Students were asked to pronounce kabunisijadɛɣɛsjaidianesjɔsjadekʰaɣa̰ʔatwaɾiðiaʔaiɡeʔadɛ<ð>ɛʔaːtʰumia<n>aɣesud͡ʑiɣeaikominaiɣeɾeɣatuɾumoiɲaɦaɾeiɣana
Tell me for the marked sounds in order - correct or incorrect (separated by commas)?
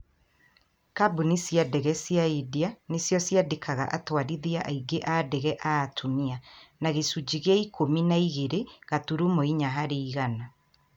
incorrect, correct